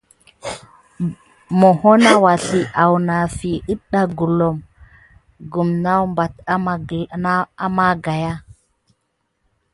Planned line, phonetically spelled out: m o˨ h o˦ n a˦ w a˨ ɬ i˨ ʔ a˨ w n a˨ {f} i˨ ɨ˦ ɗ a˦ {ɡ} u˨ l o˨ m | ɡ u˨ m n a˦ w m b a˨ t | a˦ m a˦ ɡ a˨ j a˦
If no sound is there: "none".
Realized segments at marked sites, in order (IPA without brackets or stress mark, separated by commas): f, ɡ